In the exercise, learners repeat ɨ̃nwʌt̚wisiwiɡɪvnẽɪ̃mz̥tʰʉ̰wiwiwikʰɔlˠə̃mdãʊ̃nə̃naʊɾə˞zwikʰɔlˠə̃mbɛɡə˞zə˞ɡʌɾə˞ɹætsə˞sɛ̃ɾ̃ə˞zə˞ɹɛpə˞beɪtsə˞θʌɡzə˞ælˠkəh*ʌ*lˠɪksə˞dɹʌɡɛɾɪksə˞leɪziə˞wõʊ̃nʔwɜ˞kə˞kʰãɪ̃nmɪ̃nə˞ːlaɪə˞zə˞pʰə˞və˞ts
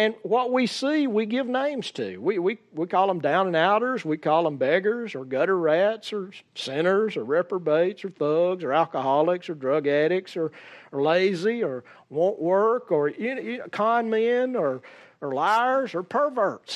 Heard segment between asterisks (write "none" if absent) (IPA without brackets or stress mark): ɑ